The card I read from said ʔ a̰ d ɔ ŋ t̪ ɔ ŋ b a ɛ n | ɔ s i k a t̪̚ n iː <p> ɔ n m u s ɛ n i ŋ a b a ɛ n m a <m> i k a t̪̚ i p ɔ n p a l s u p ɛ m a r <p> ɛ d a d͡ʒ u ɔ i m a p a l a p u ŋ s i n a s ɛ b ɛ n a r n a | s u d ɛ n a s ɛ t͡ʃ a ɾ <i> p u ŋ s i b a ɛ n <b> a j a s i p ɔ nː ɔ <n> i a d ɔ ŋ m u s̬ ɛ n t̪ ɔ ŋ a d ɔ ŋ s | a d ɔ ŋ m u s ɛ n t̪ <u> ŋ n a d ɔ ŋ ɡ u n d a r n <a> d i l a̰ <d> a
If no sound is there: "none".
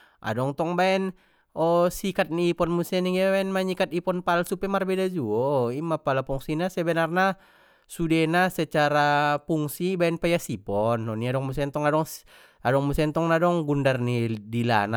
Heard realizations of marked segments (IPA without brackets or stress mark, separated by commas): p, ɲ, b, a, p, n, ɔ, i, n